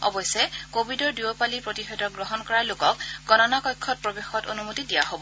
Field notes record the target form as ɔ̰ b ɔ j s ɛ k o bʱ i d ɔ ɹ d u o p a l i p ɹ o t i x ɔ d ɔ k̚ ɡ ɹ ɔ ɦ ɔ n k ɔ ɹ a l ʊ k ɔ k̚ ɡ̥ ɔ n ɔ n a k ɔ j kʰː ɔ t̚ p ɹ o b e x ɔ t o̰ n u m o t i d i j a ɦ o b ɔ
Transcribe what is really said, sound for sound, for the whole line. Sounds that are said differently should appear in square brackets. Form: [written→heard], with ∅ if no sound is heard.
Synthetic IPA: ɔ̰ b ɔ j s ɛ k o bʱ i d ɔ ɹ d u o p a l i p ɹ o t i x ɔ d ɔ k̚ ɡ ɹ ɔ ɦ ɔ n k ɔ ɹ a l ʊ k ɔ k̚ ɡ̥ ɔ n ɔ n a k ɔ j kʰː ɔ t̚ p ɹ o b e x ɔ t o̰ n u m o t i d i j a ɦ o b ɔ

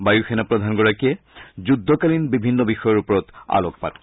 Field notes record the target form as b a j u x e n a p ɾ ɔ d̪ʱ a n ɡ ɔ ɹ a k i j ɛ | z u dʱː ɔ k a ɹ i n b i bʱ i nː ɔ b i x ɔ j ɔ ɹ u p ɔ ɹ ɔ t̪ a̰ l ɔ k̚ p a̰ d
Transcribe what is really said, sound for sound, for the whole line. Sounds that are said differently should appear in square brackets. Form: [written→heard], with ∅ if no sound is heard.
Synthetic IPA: b a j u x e n a p [ɾ→ɹ] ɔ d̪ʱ a n ɡ ɔ ɹ a k i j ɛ | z u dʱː ɔ k a [ɹ→l] i n b i bʱ i nː ɔ b i x ɔ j ɔ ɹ u p ɔ ɹ ɔ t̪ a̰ l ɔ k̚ p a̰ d

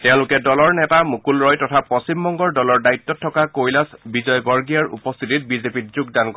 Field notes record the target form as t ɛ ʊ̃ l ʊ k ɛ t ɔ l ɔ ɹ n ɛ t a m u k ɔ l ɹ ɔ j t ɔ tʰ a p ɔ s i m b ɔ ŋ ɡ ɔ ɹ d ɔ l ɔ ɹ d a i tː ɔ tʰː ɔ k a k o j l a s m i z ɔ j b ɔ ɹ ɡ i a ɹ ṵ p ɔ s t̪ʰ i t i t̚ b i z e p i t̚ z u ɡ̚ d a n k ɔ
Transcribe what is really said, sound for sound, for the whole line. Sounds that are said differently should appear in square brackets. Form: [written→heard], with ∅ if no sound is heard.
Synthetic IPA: t ɛ ʊ̃ l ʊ k ɛ [t→d] ɔ l ɔ ɹ n ɛ t a m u k [ɔ→u] l ɹ ɔ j t ɔ tʰ a p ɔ s i m b ɔ ŋ ɡ ɔ ɹ d ɔ l ɔ ɹ d a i tː ɔ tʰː ɔ k a k o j l a s [m→b] i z ɔ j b ɔ ɹ ɡ i a ɹ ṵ p ɔ s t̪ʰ i t i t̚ b i z e p i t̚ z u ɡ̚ d a n k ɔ

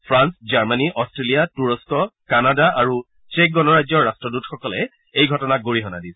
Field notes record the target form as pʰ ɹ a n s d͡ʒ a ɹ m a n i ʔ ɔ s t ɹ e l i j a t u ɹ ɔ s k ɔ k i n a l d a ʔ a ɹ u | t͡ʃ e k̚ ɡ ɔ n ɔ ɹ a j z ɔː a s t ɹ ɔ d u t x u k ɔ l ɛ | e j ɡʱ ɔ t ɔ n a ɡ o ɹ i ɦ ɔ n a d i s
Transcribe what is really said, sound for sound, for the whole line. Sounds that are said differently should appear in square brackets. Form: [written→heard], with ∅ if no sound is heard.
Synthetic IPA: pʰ ɹ a n s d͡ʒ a ɹ m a n i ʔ ɔ s t ɹ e l i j a t u ɹ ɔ s k ɔ k [i→a] n a [l→∅] d a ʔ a ɹ u | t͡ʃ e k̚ ɡ ɔ n ɔ ɹ a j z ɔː a s t ɹ ɔ d u t x [u→ɔ] k ɔ l ɛ | e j ɡʱ ɔ t ɔ n a ɡ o ɹ i ɦ ɔ n a d i s

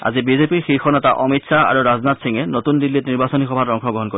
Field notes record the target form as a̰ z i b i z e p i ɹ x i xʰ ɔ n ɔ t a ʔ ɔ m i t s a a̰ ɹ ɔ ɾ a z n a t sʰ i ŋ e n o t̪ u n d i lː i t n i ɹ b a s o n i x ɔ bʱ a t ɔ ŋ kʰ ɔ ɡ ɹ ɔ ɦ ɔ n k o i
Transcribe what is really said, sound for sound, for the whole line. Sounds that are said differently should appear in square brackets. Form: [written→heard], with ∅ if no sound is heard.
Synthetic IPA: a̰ z i b i z e p i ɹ x i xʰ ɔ n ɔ t a ʔ ɔ m i t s a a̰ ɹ [ɔ→u] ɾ a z n a t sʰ i ŋ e n o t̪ u n d i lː i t n i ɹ b a s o n i x ɔ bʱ a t ɔ ŋ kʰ ɔ ɡ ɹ ɔ ɦ ɔ n k o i

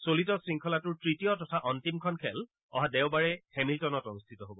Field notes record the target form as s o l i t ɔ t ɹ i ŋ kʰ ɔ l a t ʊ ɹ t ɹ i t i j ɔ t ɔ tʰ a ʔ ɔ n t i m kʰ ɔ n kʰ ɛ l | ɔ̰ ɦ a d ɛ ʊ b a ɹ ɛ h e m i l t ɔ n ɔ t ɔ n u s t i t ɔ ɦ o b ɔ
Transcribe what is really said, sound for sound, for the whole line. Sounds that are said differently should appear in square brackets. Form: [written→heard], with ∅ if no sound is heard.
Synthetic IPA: s o l i t ɔ [t→s] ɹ i ŋ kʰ ɔ l a t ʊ ɹ t ɹ i t i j ɔ t ɔ tʰ a ʔ ɔ n t i m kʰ ɔ n kʰ ɛ l | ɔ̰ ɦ a d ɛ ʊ b a ɹ ɛ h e m i l t ɔ n ɔ t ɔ n u s [t→tʰ] i t ɔ ɦ o b ɔ

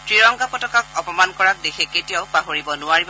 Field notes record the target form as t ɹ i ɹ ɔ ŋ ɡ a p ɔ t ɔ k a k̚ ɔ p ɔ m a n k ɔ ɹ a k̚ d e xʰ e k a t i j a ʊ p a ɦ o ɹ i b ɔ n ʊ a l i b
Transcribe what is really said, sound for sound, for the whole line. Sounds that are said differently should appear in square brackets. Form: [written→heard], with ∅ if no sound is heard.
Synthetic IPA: t ɹ i ɹ ɔ ŋ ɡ a p ɔ t ɔ k a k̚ ɔ p ɔ m a n k ɔ ɹ a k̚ d e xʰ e k [a→e] t i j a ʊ p a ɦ o ɹ i b ɔ n ʊ a [l→ɹ] i b

